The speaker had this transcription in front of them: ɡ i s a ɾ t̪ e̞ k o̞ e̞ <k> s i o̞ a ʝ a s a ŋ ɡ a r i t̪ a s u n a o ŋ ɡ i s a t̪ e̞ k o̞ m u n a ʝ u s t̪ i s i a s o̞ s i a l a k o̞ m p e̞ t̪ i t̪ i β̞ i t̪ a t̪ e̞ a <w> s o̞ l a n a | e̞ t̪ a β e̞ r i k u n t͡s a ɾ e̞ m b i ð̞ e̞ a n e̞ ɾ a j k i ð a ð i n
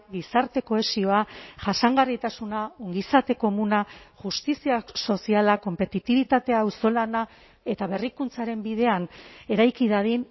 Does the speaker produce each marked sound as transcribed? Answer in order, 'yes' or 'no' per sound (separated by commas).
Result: no, yes